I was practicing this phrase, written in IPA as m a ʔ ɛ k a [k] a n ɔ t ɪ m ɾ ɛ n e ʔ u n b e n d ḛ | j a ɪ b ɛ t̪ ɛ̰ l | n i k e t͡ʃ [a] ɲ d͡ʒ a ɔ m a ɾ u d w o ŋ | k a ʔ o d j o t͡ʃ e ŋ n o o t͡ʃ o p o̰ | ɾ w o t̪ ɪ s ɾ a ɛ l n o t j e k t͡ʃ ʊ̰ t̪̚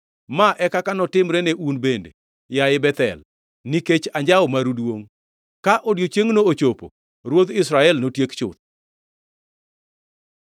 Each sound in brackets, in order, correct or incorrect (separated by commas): correct, correct